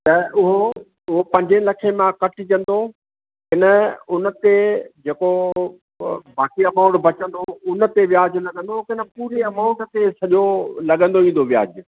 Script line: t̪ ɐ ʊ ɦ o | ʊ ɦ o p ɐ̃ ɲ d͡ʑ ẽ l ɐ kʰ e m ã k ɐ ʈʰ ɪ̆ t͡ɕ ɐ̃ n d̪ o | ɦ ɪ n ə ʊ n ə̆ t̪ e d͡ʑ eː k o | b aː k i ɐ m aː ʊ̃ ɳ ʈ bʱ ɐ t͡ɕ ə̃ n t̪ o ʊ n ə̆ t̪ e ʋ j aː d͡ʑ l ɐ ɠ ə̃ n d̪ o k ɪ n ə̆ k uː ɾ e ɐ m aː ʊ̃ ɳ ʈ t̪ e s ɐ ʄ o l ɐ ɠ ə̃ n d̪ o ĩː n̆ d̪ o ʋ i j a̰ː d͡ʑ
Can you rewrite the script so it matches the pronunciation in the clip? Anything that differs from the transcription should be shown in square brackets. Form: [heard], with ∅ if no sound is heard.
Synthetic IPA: t̪ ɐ ʊ ɦ o | ʊ ɦ o p ɐ̃ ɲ d͡ʑ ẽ l ɐ kʰ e m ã k ɐ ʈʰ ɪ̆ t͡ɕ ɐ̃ n d̪ o | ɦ ɪ n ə ʊ n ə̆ t̪ e d͡ʑ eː k o | b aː k i ɐ m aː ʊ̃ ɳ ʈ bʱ ɐ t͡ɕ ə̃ n [d̪] o ʊ n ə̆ t̪ e ʋ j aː d͡ʑ l ɐ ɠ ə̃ n d̪ o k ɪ n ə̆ [p] uː ɾ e ɐ m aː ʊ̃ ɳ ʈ t̪ e s ɐ ʄ o l ɐ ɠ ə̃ n d̪ o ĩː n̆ d̪ o ʋ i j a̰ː d͡ʑ